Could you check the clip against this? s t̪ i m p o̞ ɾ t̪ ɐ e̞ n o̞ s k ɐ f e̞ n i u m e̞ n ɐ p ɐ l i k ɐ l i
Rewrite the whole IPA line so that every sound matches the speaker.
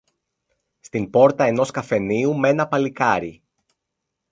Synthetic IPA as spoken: s t̪ i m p o̞ ɾ t̪ ɐ e̞ n o̞ s k ɐ f e̞ n i u m e̞ n ɐ p ɐ l i k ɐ ɾ i